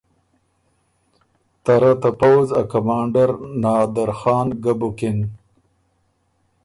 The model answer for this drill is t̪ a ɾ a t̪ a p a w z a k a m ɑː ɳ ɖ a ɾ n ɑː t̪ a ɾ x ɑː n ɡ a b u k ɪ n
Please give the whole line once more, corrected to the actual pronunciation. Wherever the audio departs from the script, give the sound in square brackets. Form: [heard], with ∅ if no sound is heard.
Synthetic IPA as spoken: t̪ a ɾ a t̪ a p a w z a k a m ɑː ɳ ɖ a ɾ n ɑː [d̪] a ɾ x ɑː n ɡ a b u k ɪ n